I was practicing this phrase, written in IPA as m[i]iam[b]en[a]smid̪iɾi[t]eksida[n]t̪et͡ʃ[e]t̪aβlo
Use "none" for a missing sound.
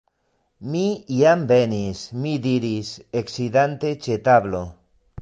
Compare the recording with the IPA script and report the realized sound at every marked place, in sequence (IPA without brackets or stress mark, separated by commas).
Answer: i, b, i, s, n, e